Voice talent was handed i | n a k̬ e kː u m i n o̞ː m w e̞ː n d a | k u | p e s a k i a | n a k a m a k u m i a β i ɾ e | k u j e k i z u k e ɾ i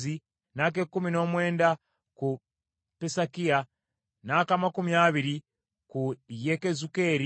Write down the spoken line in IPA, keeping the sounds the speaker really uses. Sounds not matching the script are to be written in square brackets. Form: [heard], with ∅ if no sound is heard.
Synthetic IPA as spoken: i | n a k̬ e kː u m i n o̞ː m w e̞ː n d a | k u | p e s a k i a | n a k a m a k u m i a β i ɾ [i] | k u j e k [e] z u k e ɾ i